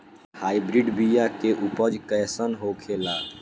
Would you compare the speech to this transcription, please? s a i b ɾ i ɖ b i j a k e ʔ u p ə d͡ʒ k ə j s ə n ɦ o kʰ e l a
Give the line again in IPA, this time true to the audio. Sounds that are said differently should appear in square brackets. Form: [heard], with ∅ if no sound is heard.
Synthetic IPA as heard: [h] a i b ɾ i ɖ b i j a k e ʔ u p ə d͡ʒ k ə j s ə n ɦ o kʰ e l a